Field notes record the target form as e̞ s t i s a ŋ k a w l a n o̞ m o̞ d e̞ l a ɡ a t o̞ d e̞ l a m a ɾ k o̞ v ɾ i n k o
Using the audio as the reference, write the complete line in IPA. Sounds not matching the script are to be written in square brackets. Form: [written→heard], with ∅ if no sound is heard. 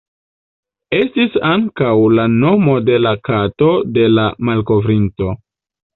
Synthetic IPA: e̞ s t i s a ŋ k a w l a n o̞ m o̞ d e̞ l a [ɡ→k] a t o̞ d e̞ l a m a [ɾ→l] k o̞ v ɾ i n [k→t] o